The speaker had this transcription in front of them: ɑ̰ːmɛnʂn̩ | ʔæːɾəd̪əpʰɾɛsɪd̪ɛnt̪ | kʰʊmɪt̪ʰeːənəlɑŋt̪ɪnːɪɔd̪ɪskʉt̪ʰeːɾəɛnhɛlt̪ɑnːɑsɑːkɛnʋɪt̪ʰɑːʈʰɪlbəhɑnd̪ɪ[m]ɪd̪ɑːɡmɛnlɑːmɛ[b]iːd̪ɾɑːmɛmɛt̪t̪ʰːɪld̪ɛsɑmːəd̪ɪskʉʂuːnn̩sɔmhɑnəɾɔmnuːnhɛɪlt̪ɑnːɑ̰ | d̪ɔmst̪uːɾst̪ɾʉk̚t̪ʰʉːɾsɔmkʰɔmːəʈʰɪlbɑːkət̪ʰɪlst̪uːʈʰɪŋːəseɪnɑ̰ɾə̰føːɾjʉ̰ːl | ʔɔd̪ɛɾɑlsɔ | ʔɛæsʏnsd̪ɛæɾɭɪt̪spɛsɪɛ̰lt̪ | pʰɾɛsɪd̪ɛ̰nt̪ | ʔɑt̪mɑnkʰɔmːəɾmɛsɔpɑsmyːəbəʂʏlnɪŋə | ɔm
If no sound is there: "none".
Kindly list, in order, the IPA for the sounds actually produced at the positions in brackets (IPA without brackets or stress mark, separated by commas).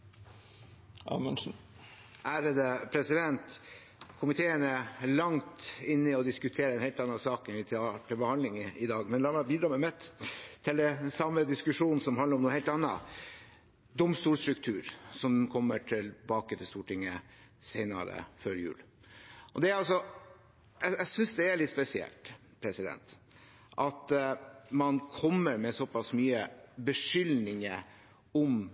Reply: ŋ, b